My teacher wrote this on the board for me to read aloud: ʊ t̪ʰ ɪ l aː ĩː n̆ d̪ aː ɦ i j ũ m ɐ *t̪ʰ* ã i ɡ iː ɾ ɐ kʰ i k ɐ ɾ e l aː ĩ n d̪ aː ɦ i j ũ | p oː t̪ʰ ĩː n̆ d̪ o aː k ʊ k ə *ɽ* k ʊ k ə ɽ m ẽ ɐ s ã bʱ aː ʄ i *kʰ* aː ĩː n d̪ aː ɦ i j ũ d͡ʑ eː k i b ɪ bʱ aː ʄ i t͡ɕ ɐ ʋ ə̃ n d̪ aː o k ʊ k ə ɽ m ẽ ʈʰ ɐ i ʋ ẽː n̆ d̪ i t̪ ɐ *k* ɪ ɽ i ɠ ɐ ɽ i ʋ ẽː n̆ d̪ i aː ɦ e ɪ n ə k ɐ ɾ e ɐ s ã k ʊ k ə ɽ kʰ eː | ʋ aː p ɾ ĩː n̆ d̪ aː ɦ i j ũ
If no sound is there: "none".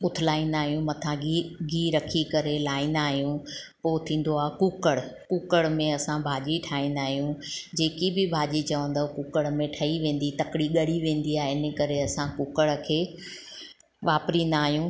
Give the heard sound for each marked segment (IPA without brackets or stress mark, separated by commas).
t̪ʰ, ɽ, ʈʰ, k